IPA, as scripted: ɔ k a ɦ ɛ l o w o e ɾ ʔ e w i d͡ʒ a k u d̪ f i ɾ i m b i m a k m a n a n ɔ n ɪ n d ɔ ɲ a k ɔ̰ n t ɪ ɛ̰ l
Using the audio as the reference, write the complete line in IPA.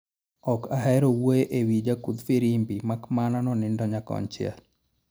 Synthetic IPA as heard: ɔ k a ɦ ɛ ɾ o w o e ʔ e w i d͡ʒ a k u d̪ f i ɾ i m b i m a k m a n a n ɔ n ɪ n d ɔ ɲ a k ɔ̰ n t͡ʃ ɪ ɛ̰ l